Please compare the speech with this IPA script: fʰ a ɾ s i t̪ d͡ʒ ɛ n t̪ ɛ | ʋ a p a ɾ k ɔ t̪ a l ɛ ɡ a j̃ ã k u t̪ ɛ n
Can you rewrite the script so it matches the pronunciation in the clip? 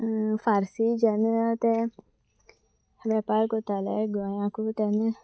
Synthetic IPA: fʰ a ɾ s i d͡ʒ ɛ n t̪ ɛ | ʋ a p a ɾ k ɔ t̪ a l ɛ ɡ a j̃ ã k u t̪ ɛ n